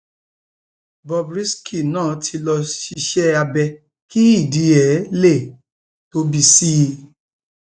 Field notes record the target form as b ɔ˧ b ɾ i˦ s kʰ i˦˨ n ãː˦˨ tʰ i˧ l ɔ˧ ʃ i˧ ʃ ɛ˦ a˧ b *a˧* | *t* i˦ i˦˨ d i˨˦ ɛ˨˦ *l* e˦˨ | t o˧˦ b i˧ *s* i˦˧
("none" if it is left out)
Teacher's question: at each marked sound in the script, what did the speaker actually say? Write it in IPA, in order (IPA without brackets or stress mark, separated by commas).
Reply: ɛ˧, k, l, s